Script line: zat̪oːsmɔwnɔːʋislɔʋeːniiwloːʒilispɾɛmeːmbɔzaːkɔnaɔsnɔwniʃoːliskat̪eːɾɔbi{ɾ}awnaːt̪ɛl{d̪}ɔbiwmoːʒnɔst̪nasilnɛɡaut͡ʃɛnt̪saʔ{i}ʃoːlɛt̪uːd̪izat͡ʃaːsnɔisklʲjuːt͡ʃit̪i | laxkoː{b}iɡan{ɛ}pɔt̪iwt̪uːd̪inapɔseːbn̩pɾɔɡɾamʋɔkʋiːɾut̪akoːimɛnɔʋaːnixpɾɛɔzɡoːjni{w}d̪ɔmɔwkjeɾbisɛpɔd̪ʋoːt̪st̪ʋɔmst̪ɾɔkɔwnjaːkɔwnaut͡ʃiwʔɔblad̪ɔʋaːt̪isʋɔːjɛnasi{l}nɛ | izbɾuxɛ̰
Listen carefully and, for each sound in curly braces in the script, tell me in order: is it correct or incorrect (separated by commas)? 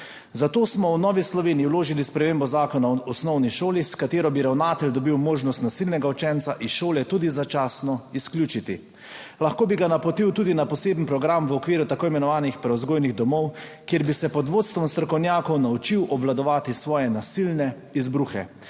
correct, correct, correct, correct, incorrect, incorrect, correct